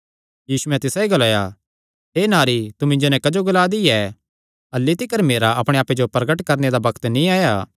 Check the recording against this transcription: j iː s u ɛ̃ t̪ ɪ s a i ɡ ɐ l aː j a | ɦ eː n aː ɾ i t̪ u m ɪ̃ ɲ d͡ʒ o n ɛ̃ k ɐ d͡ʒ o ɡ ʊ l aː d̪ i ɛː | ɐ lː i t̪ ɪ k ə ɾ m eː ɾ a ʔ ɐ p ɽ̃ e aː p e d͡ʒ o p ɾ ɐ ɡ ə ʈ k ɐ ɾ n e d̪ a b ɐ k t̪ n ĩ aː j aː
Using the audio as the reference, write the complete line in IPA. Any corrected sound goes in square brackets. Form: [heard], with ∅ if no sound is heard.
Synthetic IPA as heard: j iː s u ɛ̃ t̪ ɪ s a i ɡ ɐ l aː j a | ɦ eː n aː ɾ i t̪ u m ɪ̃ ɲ d͡ʒ o n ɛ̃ k ɐ d͡ʒ o ɡ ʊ l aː d̪ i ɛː | ɐ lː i t̪ ɪ k ə ɾ m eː ɾ a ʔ ɐ p ɽ̃ e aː p e d͡ʒ o p ɾ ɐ ɡ ə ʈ k ɐ ɾ n e d̪ a b ɐ k t̪ n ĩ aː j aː